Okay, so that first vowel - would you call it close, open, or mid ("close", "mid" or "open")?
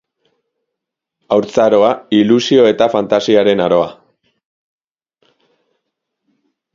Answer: open